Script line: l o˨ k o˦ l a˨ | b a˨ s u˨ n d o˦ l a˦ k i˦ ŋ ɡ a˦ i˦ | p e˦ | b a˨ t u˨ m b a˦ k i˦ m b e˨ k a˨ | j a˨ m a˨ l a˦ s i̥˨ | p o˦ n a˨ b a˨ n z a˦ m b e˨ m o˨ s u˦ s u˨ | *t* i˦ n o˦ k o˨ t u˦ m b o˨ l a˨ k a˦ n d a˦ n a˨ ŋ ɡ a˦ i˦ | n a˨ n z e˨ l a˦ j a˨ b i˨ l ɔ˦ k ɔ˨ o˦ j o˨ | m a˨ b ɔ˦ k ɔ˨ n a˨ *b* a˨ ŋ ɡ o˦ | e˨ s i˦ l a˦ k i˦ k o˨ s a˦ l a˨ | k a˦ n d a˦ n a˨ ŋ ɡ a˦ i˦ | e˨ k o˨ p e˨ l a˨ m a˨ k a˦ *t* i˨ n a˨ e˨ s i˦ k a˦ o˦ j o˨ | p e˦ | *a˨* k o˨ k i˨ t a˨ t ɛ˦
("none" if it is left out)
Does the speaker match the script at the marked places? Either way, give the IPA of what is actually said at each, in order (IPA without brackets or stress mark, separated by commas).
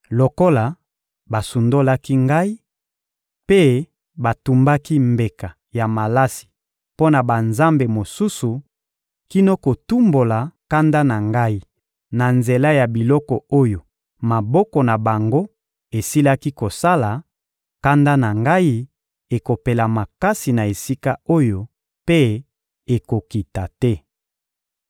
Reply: k, b, s, e˨